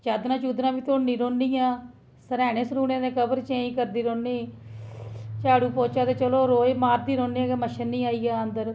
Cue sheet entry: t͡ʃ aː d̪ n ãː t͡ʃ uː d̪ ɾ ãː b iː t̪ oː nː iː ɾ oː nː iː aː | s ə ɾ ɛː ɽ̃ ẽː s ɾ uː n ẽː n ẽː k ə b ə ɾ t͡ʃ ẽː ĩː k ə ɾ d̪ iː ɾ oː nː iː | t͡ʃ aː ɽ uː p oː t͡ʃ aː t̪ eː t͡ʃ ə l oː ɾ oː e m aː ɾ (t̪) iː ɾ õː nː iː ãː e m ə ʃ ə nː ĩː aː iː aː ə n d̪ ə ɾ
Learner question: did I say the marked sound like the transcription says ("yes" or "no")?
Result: no